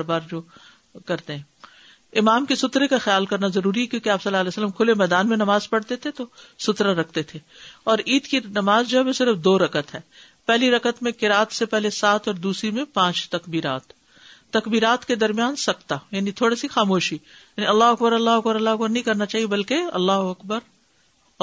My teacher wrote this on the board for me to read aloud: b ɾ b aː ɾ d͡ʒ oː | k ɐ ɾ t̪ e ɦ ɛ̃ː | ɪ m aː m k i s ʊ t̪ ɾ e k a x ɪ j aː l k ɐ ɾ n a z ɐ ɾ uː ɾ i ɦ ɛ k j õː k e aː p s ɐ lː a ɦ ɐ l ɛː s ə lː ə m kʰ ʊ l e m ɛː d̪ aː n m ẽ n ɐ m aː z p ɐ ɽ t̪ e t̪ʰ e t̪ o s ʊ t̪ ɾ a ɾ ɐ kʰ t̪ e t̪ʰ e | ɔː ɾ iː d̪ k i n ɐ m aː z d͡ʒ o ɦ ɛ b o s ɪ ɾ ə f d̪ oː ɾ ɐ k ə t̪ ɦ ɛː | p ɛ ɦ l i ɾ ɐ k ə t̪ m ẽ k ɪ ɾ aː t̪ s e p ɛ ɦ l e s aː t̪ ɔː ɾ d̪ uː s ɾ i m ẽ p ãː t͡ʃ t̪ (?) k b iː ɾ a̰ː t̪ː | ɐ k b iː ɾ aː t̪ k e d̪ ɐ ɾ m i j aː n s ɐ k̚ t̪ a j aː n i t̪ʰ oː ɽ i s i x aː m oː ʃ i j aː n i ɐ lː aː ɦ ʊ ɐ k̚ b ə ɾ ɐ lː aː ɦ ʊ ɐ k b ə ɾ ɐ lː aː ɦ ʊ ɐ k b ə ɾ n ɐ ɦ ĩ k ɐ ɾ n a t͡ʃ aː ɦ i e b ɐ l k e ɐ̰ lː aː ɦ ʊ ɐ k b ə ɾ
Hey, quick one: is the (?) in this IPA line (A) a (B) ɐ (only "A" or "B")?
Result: B